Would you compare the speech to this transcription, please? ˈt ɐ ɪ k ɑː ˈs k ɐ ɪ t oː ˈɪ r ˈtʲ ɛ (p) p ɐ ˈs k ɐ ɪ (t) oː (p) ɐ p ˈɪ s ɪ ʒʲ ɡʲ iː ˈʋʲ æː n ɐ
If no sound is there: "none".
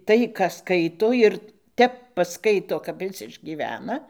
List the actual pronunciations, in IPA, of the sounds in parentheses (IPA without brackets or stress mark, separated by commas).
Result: p, t, k